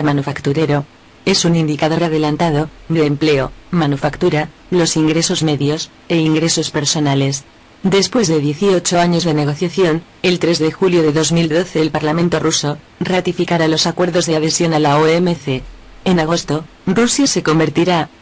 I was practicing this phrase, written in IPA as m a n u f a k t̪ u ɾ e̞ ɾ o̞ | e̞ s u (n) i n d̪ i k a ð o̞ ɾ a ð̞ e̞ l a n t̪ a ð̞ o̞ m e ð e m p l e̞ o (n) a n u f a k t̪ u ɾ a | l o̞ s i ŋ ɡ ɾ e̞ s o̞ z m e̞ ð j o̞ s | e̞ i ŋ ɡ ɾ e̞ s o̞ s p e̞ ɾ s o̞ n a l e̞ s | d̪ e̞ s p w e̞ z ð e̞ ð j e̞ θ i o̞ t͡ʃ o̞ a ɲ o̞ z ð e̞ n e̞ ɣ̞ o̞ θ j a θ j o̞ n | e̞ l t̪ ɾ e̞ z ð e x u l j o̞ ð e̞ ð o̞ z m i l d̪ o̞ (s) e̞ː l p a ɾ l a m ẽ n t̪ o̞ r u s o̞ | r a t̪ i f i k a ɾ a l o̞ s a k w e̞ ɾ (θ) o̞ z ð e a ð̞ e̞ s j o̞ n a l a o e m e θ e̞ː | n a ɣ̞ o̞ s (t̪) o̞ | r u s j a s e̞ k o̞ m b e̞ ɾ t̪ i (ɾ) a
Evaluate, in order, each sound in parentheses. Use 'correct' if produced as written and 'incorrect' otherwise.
correct, incorrect: m, incorrect: θ, incorrect: ð, correct, correct

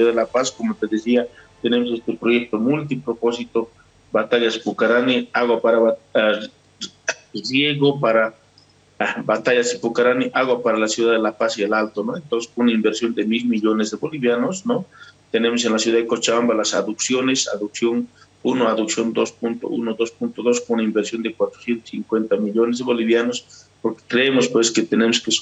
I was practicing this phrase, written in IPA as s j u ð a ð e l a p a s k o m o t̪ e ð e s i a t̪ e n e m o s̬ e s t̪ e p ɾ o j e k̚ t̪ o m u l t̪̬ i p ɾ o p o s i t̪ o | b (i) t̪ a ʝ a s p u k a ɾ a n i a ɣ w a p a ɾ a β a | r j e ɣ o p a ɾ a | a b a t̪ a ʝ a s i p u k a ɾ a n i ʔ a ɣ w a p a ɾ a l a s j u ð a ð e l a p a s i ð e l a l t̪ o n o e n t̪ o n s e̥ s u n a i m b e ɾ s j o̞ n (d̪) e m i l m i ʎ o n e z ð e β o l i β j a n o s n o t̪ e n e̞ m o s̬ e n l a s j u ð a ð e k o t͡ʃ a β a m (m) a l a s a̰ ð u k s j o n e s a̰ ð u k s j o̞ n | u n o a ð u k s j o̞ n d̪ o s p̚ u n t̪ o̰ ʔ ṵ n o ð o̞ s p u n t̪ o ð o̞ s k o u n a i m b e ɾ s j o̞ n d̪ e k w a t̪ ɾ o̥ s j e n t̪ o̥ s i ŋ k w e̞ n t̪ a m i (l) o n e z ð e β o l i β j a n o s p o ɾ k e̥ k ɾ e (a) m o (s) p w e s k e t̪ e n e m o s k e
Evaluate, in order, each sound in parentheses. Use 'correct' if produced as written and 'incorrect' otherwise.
incorrect: a, correct, incorrect: b, incorrect: ʎ, incorrect: e, correct

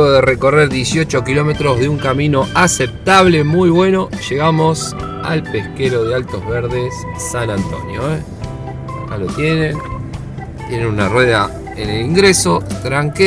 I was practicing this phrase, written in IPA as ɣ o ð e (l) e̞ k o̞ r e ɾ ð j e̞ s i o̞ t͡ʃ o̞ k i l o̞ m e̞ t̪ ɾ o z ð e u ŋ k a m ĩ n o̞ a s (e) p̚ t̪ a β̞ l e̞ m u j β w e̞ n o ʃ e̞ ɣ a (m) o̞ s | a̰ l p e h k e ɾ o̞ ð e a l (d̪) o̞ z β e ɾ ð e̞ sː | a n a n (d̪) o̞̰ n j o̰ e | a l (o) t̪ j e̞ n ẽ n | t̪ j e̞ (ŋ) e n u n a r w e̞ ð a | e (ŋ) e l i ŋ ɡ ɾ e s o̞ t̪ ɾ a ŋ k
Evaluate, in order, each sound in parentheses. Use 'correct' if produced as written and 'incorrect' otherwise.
incorrect: r, correct, correct, incorrect: t̪, incorrect: t̪, correct, incorrect: n, incorrect: n

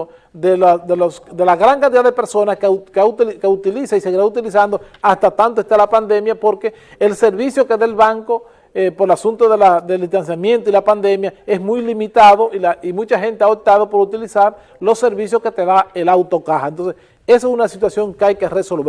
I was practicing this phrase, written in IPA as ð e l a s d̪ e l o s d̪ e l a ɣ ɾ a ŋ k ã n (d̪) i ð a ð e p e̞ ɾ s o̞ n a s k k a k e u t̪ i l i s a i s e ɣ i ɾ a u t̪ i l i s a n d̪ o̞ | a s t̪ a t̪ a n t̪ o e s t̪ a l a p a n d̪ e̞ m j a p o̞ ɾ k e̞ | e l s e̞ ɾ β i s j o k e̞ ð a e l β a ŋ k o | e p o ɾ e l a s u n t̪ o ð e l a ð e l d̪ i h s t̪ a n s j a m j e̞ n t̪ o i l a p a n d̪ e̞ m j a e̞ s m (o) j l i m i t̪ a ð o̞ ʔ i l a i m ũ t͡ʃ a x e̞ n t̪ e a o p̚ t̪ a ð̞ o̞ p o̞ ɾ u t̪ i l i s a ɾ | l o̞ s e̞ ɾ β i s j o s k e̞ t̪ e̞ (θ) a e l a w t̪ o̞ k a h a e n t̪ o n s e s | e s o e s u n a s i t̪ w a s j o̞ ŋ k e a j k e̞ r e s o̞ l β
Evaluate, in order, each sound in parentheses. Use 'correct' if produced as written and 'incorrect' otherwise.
incorrect: t̪, incorrect: u, incorrect: ð

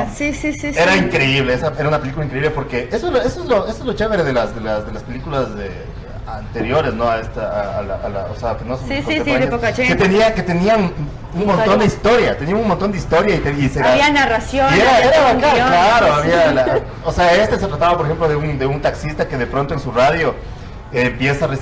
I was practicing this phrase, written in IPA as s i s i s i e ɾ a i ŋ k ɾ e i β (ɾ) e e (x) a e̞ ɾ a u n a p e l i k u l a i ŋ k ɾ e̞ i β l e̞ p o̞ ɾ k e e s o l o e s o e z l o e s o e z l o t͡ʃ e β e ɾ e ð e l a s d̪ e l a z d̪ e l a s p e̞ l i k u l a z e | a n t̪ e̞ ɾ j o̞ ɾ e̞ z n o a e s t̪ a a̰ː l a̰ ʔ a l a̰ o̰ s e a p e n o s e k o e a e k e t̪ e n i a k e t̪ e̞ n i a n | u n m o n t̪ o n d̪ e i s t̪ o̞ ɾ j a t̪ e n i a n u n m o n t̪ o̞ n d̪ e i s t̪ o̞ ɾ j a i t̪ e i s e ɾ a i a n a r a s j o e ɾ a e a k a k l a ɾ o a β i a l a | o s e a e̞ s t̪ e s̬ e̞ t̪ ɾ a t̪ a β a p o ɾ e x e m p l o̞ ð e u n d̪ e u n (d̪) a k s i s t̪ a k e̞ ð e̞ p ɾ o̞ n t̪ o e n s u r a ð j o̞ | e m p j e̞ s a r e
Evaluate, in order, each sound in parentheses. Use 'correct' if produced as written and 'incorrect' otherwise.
incorrect: l, incorrect: s, incorrect: t̪

